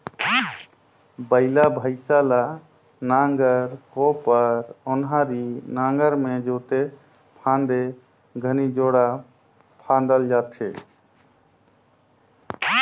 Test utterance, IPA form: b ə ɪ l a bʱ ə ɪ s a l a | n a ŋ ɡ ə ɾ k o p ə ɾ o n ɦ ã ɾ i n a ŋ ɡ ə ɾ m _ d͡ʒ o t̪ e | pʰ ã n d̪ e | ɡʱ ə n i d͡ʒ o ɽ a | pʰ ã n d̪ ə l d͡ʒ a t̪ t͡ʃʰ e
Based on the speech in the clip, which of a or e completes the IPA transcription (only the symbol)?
e